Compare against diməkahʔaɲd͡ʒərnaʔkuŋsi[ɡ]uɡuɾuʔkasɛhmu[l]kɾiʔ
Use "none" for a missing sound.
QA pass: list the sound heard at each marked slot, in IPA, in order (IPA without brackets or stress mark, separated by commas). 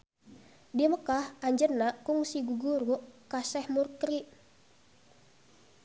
ɡ, r